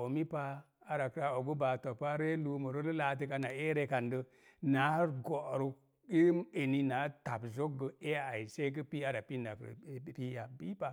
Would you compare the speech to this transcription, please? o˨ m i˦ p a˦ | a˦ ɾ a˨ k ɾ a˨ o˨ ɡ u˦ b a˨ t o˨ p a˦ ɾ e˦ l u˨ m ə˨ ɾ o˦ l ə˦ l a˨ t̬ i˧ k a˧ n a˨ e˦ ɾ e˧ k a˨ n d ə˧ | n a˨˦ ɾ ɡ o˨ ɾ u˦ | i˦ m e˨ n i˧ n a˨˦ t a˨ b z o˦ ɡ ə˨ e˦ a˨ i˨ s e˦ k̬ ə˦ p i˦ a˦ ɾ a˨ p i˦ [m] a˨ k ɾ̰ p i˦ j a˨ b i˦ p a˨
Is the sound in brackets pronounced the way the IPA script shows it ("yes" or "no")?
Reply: no